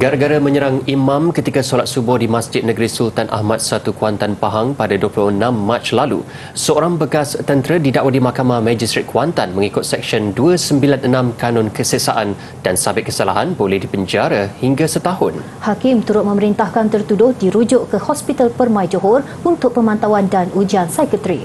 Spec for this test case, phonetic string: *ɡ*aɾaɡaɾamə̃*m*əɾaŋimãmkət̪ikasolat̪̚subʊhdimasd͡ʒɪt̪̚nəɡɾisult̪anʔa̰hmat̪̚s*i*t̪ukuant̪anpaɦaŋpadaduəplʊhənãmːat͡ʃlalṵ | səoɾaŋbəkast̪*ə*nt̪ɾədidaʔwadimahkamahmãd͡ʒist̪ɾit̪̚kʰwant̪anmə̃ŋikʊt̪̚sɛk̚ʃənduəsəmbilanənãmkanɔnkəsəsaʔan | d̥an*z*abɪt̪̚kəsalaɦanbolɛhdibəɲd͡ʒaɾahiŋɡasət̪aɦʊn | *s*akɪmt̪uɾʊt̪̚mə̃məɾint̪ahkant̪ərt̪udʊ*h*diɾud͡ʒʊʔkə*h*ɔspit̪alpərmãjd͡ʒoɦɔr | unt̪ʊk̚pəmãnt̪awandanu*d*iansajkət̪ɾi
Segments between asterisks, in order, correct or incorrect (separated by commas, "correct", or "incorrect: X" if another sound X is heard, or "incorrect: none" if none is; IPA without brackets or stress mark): correct, incorrect: ɲ, incorrect: a, correct, incorrect: s, incorrect: h, correct, correct, incorrect: d͡ʒ